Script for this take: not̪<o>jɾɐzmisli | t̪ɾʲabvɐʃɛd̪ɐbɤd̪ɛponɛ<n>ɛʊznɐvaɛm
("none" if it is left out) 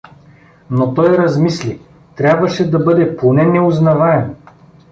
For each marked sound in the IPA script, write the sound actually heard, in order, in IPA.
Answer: ɔ, n

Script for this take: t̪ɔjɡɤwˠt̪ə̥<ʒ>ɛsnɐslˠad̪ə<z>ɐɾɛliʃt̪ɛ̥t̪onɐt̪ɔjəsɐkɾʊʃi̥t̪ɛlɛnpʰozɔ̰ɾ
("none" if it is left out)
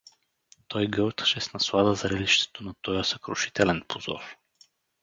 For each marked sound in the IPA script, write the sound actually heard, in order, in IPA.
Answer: ʃ, z

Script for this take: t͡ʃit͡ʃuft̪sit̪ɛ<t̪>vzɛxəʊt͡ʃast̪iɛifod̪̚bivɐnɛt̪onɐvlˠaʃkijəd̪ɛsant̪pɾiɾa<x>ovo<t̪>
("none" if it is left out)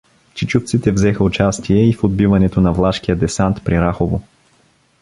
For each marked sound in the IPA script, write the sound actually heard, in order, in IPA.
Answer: none, x, none

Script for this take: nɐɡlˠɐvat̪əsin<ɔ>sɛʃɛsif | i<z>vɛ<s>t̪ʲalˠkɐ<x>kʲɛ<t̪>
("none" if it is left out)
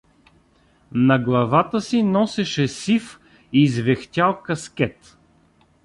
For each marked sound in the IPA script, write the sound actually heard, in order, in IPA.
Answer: ɔ, z, x, s, t̪

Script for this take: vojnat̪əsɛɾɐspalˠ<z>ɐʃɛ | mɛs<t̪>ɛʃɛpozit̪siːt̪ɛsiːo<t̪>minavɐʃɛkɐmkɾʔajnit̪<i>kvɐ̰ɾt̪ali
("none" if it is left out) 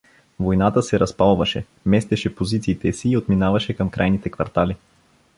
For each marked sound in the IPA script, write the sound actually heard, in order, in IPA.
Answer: v, t̪, t̪, ɛ

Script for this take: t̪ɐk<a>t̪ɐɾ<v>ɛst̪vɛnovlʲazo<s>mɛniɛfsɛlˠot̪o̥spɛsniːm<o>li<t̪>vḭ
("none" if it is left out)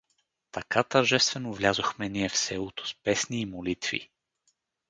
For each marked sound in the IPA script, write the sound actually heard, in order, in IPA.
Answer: a, ʒ, x, o, t̪

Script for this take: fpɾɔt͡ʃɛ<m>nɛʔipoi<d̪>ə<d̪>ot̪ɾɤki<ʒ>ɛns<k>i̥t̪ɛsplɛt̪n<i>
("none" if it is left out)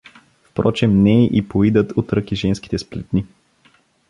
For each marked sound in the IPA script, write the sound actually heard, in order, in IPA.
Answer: m, d̪, t̪, ʒ, k, i

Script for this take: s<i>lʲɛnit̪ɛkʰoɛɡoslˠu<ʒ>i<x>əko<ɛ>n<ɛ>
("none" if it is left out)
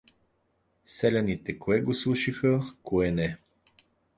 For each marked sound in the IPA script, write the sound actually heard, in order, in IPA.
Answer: ɛ, ʃ, x, ɛ, ɛ

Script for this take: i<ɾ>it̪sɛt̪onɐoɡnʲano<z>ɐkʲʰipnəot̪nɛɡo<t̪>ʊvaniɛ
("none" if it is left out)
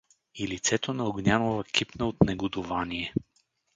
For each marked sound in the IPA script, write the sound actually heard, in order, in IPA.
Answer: l, v, d̪

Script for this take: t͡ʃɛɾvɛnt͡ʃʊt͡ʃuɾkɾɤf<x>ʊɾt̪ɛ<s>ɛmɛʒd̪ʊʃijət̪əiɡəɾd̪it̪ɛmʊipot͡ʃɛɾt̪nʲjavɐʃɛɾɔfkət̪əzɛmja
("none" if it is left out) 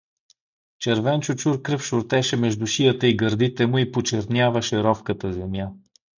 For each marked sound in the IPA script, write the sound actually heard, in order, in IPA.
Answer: ʃ, ʃ

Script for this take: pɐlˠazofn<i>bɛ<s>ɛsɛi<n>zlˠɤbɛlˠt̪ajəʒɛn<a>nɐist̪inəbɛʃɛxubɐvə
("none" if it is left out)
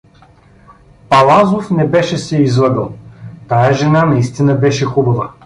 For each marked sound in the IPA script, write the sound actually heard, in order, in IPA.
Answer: ɛ, ʃ, none, a

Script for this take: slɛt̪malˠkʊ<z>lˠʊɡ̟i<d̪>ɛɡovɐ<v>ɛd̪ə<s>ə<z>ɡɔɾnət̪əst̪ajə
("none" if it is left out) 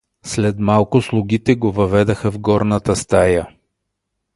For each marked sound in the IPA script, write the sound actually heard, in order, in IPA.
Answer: s, t̪, v, x, v

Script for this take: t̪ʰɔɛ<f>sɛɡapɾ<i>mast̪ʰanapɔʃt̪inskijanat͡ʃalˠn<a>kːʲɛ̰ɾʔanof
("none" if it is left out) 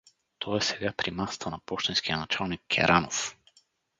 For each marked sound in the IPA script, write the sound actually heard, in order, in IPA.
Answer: none, i, i

